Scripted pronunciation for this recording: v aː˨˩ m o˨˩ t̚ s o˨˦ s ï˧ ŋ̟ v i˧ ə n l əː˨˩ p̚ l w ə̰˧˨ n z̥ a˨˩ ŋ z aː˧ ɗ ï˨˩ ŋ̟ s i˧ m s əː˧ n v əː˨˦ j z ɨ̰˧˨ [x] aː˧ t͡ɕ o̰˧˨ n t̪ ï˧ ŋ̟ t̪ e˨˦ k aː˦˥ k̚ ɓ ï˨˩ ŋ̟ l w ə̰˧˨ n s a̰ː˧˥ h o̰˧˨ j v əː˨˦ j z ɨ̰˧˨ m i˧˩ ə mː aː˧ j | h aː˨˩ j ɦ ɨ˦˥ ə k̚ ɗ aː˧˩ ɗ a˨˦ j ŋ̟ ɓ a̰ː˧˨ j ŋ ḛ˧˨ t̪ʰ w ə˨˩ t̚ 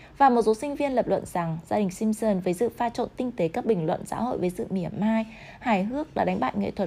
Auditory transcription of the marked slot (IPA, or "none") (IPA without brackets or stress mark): f